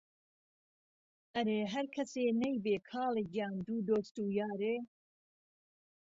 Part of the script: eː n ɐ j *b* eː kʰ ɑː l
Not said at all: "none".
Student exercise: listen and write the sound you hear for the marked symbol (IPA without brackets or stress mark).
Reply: b